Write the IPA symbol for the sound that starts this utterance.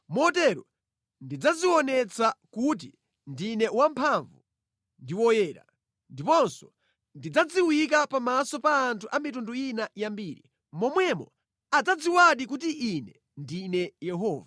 m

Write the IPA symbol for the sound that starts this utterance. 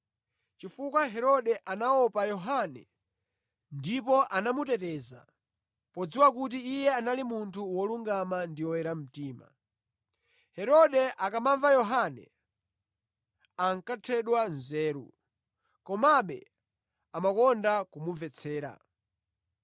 t͡ʃ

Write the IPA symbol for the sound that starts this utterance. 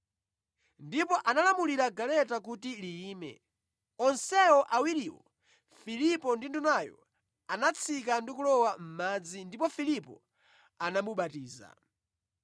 n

